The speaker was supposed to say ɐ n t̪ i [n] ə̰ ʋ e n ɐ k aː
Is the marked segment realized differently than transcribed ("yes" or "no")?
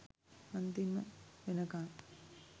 yes